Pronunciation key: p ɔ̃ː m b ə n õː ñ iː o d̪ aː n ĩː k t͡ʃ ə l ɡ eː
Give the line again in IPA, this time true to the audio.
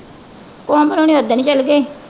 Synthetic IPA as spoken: k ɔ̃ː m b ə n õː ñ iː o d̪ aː n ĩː t͡ʃ ə l ɡ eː